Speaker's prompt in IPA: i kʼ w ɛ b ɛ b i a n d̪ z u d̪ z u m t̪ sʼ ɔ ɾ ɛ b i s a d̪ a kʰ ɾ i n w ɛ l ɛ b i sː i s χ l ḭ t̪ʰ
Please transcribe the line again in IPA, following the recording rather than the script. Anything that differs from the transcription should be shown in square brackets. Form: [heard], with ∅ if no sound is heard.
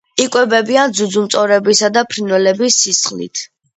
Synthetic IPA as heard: i kʼ w ɛ b ɛ b i a n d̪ z u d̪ z u m t̪ sʼ ɔ ɾ ɛ b i s a d̪ a [pʰ] ɾ i n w ɛ l ɛ b i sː i s χ l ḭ t̪ʰ